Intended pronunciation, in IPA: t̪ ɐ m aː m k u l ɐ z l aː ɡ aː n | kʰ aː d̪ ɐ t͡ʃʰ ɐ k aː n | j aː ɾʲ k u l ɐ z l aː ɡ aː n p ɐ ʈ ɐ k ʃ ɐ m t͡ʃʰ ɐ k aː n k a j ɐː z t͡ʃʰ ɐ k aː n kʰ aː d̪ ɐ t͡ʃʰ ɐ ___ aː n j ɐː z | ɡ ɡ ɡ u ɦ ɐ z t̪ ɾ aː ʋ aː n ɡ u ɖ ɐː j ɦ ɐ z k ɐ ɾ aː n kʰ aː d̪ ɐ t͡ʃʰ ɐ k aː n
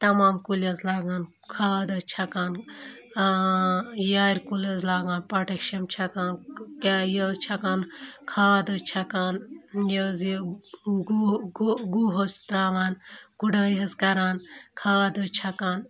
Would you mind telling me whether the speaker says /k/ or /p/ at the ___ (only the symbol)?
k